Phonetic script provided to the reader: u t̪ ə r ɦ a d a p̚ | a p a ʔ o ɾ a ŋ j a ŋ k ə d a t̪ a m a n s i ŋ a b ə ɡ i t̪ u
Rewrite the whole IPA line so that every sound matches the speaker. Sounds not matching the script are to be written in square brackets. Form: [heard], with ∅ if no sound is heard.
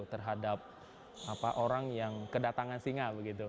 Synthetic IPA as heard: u t̪ ə r ɦ a d a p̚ | a p a ʔ o ɾ a ŋ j a ŋ k ə d a t̪ a [ŋ] a n s i ŋ a b ə ɡ i t̪ u